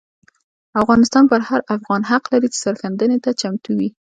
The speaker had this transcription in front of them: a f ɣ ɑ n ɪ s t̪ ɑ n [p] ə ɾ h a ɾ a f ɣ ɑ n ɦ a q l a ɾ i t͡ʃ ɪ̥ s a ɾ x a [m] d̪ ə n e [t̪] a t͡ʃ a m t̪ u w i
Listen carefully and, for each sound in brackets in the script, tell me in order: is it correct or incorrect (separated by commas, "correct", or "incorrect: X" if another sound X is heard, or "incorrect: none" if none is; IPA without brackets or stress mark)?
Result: correct, incorrect: n, correct